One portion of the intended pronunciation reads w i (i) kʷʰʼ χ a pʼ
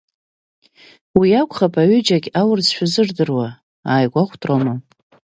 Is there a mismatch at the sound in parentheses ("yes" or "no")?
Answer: yes